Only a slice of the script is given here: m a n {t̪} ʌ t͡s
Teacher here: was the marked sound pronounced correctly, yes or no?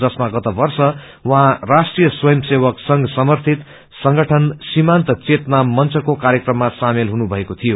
yes